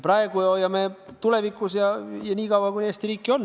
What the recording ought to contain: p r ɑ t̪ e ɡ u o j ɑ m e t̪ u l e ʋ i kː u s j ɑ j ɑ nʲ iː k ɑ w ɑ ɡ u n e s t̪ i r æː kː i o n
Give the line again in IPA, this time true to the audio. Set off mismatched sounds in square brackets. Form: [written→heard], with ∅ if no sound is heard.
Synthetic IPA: p r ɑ [t̪→∅] e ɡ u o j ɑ m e t̪ u l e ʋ i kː u s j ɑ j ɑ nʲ iː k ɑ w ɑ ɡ u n e s t̪ i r [æː→iː] kː i o n